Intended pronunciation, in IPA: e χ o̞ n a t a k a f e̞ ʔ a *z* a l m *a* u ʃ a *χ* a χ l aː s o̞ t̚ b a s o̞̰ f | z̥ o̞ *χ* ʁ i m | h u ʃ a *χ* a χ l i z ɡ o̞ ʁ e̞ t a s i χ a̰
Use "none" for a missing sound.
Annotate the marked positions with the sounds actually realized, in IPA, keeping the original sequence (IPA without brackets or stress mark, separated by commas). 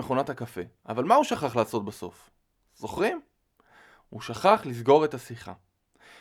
v, a, χ, χ, χ